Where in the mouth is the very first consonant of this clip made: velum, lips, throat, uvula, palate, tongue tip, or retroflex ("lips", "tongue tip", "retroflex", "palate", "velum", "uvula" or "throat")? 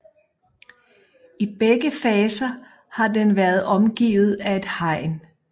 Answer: lips